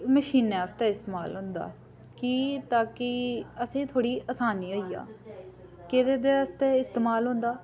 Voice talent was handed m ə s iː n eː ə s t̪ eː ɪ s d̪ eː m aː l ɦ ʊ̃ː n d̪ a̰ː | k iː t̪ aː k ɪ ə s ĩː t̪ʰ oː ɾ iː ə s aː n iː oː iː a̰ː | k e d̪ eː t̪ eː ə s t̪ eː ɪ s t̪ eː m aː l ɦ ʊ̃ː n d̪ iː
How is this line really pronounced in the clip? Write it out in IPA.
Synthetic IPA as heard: m ə ʃ iː n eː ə s t̪ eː ɪ s t̪ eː m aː l ɦ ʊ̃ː n d̪ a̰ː | k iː t̪ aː k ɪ ə s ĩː t̪ʰ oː ɽ iː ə s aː n iː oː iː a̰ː | k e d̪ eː d̪ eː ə s t̪ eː ɪ s t̪ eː m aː l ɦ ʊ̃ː n d̪ aː